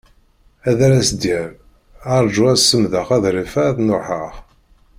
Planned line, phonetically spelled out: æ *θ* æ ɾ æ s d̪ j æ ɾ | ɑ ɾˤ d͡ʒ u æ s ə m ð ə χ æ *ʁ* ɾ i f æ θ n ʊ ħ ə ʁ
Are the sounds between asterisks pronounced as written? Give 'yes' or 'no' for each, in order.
no, no

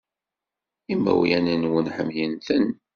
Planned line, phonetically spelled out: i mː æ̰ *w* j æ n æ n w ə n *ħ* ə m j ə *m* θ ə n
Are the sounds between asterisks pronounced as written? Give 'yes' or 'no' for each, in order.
yes, yes, no

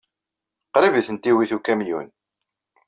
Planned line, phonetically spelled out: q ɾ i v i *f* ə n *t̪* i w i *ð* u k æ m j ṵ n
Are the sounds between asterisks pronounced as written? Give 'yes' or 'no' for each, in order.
no, yes, no

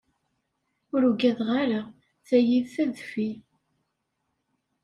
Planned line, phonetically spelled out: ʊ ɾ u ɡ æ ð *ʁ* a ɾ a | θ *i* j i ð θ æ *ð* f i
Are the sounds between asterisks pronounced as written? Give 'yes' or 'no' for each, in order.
yes, no, yes

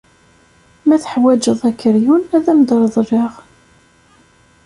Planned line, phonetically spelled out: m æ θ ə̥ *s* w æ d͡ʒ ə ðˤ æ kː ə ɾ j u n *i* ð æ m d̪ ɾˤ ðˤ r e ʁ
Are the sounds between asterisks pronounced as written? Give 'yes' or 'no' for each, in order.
no, no

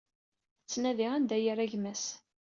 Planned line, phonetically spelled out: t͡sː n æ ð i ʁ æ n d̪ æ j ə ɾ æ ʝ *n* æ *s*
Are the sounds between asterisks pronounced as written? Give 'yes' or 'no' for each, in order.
no, yes

